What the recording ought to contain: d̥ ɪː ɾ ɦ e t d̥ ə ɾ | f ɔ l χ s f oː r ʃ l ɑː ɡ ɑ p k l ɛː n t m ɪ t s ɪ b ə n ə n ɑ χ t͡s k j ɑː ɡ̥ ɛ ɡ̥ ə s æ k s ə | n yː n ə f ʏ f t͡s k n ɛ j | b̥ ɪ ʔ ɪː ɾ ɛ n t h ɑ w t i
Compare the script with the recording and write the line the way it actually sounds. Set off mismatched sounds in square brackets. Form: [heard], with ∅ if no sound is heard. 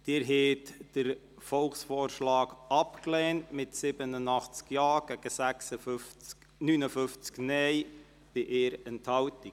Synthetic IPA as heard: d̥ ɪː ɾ ɦ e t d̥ ə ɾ | f ɔ l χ s f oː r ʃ l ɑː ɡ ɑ p k l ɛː n t m ɪ t s ɪ b ə n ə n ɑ χ t͡s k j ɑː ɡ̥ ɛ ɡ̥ ə s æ k s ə | n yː n ə f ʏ f t͡s k n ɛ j | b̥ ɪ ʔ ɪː ɾ ɛ n t h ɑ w t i